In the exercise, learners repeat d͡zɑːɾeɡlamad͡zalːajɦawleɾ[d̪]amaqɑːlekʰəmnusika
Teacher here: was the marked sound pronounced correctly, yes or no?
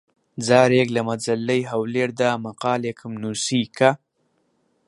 yes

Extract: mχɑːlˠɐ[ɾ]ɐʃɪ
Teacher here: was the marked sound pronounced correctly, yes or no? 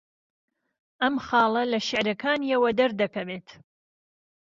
no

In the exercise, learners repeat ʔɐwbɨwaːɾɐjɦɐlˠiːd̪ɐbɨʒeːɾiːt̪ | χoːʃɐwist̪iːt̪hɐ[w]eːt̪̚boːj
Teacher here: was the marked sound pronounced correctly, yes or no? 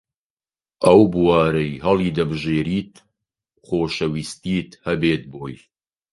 no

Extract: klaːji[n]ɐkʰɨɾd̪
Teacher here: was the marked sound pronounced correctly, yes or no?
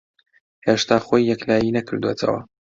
yes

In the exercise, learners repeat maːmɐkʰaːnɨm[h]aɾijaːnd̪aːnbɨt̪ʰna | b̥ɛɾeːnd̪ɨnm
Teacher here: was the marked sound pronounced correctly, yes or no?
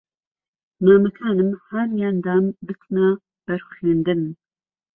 yes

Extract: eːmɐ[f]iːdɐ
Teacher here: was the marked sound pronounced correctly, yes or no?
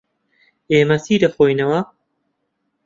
no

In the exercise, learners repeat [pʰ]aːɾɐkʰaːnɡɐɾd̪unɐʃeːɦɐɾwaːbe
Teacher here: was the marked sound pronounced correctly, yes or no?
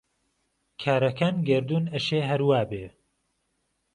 no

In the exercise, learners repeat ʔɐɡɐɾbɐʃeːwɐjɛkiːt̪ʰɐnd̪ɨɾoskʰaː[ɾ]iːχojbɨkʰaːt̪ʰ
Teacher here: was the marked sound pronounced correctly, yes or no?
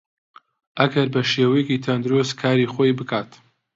yes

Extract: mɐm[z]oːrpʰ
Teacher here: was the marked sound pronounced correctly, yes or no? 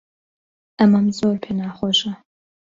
yes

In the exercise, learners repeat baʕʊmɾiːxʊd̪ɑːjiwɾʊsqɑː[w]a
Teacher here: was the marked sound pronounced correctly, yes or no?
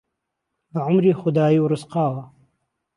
yes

